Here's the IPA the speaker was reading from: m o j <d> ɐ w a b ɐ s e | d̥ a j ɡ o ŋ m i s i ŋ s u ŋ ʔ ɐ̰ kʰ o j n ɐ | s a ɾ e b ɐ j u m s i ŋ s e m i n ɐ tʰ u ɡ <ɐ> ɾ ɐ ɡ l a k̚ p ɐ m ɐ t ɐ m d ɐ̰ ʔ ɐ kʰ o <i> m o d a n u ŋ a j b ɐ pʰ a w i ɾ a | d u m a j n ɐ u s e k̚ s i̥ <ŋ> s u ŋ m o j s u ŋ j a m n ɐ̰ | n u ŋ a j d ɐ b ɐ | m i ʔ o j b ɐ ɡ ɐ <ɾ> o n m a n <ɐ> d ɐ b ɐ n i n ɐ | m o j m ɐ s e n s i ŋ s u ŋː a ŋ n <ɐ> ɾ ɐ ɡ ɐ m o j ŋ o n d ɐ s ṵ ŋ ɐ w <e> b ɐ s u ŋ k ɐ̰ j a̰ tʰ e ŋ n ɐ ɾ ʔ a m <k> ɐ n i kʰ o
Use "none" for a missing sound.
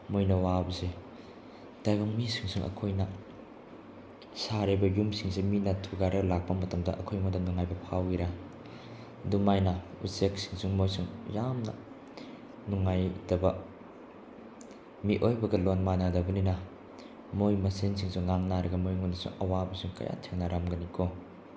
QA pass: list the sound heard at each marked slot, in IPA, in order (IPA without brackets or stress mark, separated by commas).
n, a, j, ŋ, l, a, a, a, ɡ